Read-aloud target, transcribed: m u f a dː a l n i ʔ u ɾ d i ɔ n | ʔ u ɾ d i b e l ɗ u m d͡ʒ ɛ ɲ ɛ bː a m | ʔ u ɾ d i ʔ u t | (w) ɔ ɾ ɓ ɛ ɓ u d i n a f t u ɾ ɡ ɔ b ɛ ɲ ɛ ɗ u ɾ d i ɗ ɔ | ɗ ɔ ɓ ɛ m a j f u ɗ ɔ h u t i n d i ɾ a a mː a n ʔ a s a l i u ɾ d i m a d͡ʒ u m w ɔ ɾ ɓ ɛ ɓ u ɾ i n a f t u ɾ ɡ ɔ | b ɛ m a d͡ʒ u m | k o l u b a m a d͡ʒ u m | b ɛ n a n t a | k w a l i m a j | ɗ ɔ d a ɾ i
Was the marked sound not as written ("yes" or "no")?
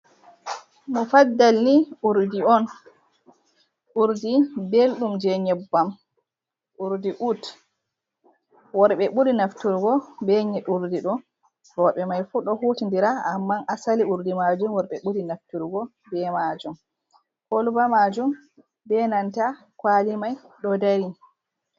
no